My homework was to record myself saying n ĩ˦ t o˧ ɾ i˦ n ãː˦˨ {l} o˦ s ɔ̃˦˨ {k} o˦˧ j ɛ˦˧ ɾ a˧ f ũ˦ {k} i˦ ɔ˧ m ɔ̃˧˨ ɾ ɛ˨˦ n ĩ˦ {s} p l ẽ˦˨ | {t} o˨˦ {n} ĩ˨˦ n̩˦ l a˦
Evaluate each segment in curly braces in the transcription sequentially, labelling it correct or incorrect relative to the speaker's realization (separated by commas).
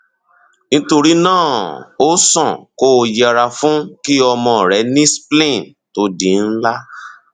incorrect, correct, correct, correct, correct, incorrect